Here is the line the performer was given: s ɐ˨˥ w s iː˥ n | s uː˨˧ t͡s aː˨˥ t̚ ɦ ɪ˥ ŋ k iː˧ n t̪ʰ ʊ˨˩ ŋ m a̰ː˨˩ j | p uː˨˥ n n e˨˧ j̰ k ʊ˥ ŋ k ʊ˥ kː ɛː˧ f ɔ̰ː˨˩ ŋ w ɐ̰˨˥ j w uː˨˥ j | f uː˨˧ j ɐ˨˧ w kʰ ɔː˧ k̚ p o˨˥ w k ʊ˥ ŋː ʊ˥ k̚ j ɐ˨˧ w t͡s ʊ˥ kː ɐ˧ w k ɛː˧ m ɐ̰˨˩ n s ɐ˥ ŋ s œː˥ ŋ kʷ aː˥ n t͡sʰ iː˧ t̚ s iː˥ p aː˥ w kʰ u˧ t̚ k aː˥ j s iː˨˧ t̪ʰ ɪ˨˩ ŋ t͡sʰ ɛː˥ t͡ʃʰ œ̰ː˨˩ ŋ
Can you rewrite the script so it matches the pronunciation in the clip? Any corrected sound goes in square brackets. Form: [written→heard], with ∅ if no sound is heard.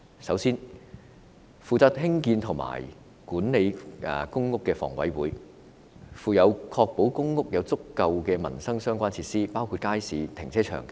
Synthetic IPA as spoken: s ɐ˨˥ w s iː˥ n | [s→f] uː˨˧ t͡s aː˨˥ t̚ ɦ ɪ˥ ŋ k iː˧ n t̪ʰ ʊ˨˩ ŋ m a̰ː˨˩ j | [p→k] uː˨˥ n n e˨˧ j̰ k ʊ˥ ŋ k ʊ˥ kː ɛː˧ f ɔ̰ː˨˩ ŋ w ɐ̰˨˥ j w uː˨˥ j | f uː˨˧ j ɐ˨˧ w kʰ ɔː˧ k̚ p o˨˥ w k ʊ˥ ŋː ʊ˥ k̚ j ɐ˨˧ w t͡s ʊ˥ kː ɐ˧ w k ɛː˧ m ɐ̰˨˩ n s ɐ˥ ŋ s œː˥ ŋ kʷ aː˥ n t͡sʰ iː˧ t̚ s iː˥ p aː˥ w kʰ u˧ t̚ k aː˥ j s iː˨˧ t̪ʰ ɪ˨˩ ŋ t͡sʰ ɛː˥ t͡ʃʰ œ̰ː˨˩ ŋ